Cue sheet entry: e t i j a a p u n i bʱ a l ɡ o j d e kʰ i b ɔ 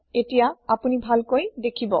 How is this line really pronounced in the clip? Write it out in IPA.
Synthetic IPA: e t i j a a p u n i bʱ a l k o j d e kʰ i b ɔ